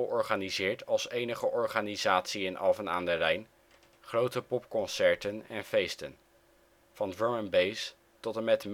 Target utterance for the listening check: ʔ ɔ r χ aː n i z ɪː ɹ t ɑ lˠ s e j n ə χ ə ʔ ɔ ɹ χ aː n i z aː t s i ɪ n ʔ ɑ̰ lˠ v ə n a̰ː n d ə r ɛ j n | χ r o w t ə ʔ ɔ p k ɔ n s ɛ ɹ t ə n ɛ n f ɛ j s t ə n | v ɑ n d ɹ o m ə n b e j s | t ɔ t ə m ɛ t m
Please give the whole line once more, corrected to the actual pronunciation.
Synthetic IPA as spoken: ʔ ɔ ɹ χ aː n i z ɪː ɹ t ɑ lˠ s e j n ə χ ə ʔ ɔ ɹ χ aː n i z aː t s i ɪ n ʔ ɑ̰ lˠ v ə n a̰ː n d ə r ɛ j n | χ r o w t ə p ɔ p k ɔ n s ɛ ɹ t ə n ɛ n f e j s t ə n | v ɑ n d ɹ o m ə n b e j s | t ɔ t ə m ɛ t m